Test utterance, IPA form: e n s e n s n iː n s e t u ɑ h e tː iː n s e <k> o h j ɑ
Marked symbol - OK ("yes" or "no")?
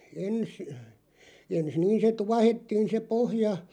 no